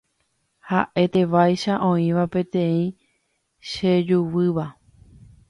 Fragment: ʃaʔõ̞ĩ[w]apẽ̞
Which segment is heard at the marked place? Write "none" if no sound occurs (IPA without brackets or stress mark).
ʋ